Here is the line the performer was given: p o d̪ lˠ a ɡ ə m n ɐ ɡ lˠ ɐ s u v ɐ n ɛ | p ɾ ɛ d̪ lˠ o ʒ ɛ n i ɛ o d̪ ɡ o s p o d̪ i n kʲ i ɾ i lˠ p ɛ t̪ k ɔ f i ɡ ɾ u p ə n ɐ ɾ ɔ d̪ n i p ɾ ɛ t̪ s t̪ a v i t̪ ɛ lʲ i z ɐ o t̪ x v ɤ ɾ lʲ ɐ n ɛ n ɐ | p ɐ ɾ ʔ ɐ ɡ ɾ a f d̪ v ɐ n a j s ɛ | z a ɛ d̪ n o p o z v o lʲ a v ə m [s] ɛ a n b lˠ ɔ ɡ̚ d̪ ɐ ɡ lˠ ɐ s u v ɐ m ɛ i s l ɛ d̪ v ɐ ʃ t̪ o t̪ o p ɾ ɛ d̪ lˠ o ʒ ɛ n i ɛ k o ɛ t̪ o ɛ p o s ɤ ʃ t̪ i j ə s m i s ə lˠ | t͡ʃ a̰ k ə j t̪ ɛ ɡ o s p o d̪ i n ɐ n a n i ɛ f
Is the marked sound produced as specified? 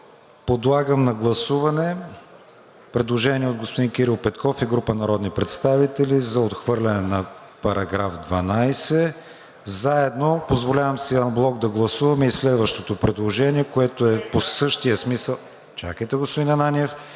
yes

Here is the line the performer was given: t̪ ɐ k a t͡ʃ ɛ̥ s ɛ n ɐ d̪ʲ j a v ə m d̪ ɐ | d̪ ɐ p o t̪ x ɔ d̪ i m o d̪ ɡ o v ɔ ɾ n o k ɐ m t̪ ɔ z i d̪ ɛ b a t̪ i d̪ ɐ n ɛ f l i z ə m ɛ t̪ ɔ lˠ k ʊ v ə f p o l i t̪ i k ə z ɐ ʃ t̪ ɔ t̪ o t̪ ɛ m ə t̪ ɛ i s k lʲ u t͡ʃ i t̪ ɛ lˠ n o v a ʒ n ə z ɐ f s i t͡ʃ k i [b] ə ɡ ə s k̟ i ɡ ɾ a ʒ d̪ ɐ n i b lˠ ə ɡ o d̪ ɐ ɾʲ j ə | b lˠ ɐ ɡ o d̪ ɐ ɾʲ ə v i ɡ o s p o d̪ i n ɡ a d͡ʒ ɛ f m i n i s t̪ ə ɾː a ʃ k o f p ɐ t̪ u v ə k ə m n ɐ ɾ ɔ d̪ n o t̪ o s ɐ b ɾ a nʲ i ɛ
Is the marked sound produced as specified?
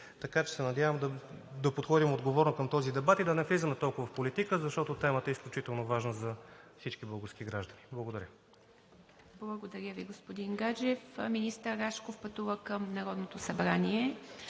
yes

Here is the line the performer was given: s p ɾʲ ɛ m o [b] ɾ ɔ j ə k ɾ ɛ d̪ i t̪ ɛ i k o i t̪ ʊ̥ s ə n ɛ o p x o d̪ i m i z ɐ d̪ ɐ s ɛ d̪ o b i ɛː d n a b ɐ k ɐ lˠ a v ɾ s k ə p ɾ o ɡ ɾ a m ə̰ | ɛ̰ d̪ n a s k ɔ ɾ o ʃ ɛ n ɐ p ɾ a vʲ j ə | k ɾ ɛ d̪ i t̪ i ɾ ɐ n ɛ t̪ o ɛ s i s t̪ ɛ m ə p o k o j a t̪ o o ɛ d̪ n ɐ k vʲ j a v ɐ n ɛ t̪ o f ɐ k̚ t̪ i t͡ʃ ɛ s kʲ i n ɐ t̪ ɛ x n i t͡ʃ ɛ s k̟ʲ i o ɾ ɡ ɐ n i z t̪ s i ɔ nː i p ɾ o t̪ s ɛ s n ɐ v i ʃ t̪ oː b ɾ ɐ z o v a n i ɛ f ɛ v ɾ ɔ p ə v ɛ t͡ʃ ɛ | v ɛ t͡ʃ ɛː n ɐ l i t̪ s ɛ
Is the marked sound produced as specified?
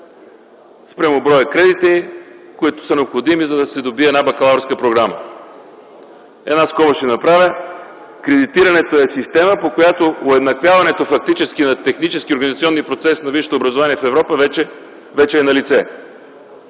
yes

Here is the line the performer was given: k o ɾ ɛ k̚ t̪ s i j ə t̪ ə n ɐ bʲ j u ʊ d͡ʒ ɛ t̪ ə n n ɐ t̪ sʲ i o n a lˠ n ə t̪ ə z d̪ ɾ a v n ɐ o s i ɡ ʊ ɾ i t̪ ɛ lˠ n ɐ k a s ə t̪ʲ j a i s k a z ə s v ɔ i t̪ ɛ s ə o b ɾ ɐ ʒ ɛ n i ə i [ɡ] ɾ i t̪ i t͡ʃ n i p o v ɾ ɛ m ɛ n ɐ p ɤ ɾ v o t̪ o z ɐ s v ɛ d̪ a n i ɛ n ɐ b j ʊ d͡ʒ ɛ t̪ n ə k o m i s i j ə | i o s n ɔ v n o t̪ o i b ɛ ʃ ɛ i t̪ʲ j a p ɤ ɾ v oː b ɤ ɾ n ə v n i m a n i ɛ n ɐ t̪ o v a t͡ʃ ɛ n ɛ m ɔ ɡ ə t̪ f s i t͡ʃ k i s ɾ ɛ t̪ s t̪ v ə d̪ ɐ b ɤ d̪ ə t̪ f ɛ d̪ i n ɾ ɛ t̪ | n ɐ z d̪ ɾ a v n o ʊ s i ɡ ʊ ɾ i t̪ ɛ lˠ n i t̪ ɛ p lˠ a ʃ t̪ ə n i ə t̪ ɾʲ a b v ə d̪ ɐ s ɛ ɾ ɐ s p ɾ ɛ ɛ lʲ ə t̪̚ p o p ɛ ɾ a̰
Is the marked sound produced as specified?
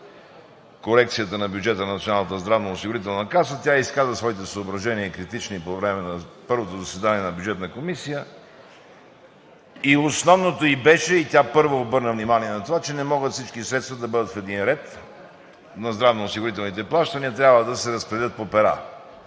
no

